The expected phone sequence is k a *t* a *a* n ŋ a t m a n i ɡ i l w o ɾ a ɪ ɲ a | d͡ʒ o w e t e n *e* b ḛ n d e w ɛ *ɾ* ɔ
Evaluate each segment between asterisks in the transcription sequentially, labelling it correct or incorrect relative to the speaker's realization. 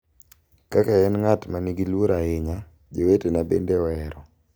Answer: incorrect: k, incorrect: ɛ, incorrect: a, correct

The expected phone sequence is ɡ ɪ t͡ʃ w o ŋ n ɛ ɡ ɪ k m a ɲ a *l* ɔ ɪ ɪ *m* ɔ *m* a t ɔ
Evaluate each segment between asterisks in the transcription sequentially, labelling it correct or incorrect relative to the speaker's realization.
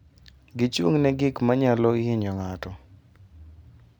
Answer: correct, incorrect: ɲ, incorrect: ŋ

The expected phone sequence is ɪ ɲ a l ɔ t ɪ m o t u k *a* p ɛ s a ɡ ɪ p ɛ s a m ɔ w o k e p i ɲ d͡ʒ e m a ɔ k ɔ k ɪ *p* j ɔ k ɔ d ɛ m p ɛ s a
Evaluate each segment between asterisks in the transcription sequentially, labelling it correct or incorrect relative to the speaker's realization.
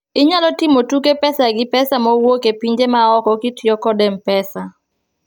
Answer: incorrect: e, incorrect: t

